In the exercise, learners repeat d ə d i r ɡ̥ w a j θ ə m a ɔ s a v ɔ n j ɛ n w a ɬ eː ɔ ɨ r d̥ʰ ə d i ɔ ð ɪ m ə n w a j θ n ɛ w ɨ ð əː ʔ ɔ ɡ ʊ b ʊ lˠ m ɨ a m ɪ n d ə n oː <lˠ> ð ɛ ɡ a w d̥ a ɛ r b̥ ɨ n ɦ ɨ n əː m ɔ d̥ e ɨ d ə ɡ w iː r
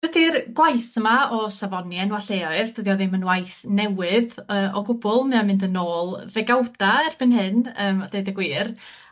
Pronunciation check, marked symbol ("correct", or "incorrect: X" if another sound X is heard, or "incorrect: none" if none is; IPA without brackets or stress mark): correct